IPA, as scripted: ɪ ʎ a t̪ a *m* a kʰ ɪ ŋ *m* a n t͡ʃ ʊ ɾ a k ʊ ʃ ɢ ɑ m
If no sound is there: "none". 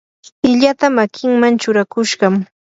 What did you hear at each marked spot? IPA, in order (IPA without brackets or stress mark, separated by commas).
m, m